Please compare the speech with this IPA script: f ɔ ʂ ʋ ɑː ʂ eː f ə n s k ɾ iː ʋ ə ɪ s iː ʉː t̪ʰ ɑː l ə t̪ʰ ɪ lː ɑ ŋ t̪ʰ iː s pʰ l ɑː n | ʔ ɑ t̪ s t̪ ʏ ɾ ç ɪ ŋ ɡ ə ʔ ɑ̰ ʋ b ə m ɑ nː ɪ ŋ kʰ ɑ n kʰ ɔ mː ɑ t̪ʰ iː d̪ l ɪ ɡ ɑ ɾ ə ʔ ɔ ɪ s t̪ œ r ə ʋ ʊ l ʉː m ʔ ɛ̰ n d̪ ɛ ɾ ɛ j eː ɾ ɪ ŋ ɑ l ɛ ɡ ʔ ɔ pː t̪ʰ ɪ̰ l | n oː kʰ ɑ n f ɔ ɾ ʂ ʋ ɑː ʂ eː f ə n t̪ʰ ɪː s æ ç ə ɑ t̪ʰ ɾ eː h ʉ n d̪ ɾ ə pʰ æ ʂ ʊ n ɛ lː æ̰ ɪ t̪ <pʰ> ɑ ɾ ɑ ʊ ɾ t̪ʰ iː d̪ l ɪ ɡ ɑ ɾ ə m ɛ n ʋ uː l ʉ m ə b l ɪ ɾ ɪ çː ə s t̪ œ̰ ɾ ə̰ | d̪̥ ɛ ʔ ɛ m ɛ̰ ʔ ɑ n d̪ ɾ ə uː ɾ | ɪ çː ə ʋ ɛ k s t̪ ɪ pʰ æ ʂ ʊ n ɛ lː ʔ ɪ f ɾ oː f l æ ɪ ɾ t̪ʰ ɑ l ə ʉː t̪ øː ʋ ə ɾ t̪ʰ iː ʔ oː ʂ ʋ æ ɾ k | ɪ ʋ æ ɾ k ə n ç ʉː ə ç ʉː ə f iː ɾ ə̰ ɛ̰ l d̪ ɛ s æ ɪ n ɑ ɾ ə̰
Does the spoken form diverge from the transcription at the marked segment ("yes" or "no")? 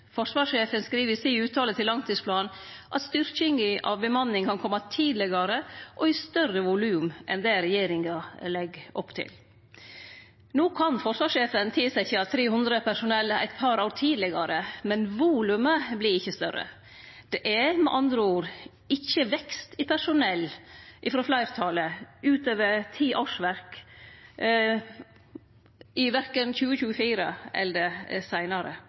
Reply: no